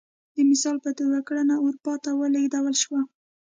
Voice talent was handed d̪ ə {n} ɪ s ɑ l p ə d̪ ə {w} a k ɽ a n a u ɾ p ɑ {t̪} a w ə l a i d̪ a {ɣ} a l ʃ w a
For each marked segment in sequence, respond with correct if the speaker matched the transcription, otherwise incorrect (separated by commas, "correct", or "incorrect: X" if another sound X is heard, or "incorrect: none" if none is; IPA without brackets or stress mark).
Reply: incorrect: m, correct, correct, incorrect: w